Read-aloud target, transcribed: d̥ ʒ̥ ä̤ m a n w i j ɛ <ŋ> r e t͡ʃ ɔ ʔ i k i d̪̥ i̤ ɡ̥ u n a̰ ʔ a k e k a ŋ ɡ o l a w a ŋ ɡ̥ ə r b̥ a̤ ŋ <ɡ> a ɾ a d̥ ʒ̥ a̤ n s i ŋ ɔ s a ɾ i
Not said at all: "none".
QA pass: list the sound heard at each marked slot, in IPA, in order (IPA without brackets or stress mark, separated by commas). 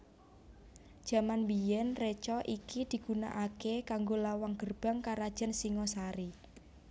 n, k